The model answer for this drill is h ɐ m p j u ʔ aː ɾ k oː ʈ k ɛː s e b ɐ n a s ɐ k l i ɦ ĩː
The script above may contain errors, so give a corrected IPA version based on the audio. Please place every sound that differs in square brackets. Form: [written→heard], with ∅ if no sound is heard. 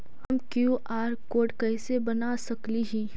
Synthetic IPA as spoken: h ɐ m [p→k] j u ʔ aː ɾ k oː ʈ k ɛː s e b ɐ n a s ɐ k l i ɦ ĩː